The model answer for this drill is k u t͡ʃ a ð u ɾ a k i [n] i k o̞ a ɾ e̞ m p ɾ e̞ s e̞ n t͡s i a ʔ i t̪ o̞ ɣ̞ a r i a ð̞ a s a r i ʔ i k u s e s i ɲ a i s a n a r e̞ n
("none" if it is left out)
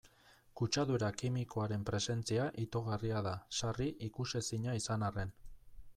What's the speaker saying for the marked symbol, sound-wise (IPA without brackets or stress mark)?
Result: m